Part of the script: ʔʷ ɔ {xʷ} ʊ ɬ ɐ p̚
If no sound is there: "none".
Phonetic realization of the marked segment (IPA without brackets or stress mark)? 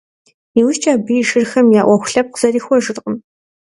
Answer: xʷ